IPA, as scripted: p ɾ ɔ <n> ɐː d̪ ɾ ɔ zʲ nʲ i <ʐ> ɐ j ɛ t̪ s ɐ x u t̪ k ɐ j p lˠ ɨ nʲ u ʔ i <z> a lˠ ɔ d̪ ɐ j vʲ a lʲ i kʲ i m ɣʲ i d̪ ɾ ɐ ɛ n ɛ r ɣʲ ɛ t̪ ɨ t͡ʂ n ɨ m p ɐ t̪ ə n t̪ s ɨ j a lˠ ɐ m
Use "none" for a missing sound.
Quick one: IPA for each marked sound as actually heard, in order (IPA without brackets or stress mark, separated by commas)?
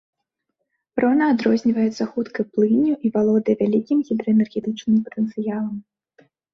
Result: n, v, v